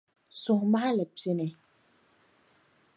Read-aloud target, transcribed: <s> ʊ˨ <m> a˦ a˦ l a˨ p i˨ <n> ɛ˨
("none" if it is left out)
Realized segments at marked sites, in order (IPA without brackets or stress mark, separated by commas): s, m, n